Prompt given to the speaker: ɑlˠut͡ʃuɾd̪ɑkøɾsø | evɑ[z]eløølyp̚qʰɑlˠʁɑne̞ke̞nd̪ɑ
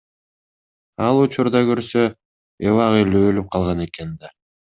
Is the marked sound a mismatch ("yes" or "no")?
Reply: yes